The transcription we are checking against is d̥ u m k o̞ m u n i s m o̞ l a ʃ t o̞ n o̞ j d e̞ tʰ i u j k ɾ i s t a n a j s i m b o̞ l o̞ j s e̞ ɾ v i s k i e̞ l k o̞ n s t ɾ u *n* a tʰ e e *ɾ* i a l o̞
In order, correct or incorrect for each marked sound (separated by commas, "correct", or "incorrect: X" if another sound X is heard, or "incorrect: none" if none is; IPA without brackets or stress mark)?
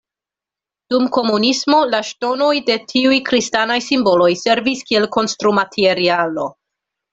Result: incorrect: m, correct